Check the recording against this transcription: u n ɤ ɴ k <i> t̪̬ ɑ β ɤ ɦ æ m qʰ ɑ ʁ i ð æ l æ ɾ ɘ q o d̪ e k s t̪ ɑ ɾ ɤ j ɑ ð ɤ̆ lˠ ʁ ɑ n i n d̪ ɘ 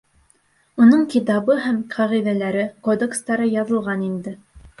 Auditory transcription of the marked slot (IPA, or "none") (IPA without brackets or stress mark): i